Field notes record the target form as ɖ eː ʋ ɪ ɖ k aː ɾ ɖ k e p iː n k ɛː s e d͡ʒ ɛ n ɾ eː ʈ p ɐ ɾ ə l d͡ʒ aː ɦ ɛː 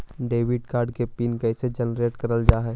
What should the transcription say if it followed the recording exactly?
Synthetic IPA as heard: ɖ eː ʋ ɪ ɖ k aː ɾ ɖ k e p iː n k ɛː s e d͡ʒ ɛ n ɾ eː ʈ k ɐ ɾ ə l d͡ʒ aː ɦ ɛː

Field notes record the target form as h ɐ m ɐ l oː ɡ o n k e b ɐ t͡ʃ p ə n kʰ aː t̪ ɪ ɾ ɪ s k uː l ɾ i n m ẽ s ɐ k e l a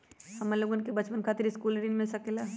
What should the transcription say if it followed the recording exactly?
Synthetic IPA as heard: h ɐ m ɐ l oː ɡ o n k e b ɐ t͡ʃ p ə n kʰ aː t̪ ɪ ɾ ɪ s k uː l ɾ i n m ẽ s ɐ k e l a

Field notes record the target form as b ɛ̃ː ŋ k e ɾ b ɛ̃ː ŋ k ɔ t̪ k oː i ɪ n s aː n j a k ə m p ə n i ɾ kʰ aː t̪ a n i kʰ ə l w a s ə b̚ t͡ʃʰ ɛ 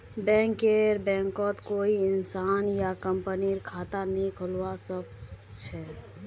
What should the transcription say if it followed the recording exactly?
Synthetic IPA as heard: b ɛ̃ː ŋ k e ɾ b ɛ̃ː ŋ k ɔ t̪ k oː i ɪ n s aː n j a k ə m p ə n i ɾ kʰ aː t̪ a n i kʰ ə l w a s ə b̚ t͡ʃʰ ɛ

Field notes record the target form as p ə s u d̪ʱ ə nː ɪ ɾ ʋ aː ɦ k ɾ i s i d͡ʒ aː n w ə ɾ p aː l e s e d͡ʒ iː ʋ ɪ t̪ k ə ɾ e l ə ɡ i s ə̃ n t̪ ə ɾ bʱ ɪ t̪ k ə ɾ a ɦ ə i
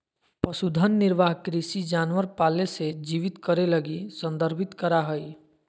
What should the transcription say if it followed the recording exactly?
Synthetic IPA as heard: p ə s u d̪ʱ ə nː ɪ ɾ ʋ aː ɦ k ɾ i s i d͡ʒ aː n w ə ɾ p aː l e s e d͡ʒ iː ʋ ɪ t̪ k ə ɾ e l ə ɡ i s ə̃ n d̪ ə ɾ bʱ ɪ t̪ k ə ɾ a ɦ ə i

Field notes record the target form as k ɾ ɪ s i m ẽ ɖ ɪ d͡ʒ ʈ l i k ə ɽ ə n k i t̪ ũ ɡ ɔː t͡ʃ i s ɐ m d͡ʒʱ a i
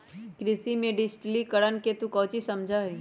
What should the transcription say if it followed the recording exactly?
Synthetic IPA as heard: k ɾ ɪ s i m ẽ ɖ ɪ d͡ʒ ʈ l i k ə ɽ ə n k e t̪ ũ k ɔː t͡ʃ i s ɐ m d͡ʒʱ a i

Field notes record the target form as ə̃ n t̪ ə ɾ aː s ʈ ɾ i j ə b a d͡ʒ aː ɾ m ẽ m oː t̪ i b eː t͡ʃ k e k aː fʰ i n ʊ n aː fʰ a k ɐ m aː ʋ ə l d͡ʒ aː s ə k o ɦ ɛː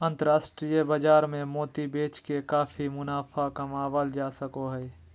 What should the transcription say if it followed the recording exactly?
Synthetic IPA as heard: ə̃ n t̪ ə ɾ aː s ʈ ɾ i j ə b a d͡ʒ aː ɾ m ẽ m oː t̪ i b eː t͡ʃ k e k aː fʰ i m ʊ n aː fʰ a k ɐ m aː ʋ ə l d͡ʒ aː s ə k o ɦ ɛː

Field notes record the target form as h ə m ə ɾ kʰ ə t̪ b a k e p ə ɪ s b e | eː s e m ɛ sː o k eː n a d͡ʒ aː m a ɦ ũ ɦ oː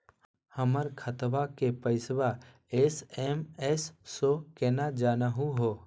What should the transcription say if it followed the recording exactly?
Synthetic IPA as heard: h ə m ə ɾ kʰ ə t̪ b a k e p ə ɪ s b a | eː s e m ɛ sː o k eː n a d͡ʒ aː n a ɦ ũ ɦ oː

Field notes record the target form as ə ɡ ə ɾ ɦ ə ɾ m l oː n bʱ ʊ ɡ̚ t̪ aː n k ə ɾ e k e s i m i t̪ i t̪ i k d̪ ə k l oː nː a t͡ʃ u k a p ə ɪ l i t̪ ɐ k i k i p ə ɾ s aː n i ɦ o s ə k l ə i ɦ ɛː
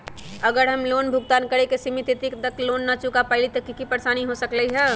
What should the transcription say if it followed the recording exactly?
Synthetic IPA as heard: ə ɡ ə ɾ ɦ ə m l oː n bʱ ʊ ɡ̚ t̪ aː n k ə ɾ e k e s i m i t̪ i t̪ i k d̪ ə k l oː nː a t͡ʃ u k a p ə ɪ l i t̪ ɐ k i k i p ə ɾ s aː n i ɦ o s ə k l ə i ɦ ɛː

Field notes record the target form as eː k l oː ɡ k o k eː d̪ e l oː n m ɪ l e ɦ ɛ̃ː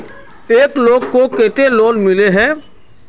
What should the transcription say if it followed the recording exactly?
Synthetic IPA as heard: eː k l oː ɡ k o k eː t̪ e l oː n m ɪ l e ɦ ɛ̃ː

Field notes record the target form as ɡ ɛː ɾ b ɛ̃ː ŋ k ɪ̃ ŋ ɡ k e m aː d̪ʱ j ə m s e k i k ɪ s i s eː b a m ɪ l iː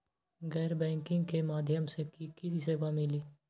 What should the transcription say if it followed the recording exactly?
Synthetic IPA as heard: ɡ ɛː ɾ b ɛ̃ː ŋ k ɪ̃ ŋ ɡ k e m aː d̪ʱ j ə m s e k i k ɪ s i s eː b a m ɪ l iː

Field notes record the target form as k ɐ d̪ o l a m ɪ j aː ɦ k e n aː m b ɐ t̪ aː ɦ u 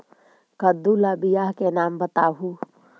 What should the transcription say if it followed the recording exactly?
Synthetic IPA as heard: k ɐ d̪ u l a b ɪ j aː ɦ k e n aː m b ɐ t̪ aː ɦ u

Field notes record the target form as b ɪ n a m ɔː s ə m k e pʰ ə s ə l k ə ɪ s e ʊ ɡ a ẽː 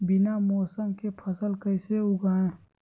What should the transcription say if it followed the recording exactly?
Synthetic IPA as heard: b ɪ n a m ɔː s ə m k e pʰ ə s ə l k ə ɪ s e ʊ ɡ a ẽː

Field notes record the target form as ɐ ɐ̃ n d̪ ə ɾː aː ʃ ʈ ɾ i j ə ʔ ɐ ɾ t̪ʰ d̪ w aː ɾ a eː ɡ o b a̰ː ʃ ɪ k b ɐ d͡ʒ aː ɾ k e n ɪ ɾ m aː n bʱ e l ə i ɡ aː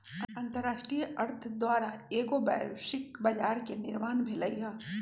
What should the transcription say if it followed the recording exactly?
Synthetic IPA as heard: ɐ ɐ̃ n t̪ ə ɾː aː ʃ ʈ ɾ i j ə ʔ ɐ ɾ t̪ʰ d̪ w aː ɾ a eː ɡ o b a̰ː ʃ ɪ k b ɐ d͡ʒ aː ɾ k e n ɪ ɾ m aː n bʱ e l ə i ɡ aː

